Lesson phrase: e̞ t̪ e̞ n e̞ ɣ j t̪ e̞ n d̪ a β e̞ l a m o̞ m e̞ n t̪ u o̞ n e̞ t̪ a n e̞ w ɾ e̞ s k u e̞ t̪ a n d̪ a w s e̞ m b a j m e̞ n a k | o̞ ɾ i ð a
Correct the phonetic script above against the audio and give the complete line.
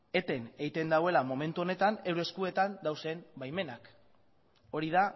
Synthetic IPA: e̞ t̪ e̞ n e̞ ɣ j t̪ e̞ n d̪ a w e̞ l a m o̞ m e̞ n t̪ u o̞ n e̞ t̪ a n e̞ w ɾ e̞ s k u e̞ t̪ a n d̪ a w s e̞ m b a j m e̞ n a k | o̞ ɾ i ð a